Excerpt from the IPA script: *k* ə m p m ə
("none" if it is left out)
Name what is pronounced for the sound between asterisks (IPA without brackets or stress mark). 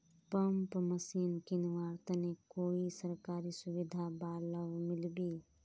p